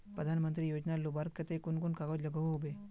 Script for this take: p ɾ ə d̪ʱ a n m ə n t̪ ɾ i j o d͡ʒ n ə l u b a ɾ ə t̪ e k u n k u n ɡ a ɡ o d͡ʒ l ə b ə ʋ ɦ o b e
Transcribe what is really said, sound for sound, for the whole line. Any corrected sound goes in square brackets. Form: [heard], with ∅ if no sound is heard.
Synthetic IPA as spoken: p ɾ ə d̪ʱ a n m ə n t̪ ɾ i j o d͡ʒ n [a] l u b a ɾ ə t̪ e k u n k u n [k] a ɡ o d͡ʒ l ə [ɡ] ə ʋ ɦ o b e